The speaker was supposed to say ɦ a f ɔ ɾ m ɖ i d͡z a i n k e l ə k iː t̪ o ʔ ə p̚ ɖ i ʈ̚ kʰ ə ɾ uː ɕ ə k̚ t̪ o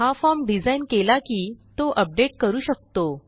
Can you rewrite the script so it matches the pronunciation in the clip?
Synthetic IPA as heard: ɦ a f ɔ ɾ m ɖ i d͡z a i n k e l a k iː t̪ o ʔ ə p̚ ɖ e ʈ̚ k ə ɾ uː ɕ ə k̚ t̪ o